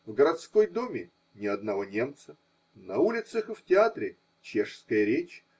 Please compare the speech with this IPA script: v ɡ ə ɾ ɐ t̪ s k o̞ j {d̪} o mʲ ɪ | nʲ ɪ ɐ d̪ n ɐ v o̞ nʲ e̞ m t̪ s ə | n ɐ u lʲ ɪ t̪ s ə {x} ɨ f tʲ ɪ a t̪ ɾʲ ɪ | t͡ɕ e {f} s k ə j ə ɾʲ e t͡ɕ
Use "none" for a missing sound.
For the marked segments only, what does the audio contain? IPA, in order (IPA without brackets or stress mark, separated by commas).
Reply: d̪, x, ʂ